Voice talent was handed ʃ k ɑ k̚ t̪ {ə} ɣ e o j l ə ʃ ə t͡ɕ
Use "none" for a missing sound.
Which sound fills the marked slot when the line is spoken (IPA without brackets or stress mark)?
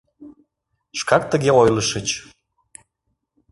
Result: ə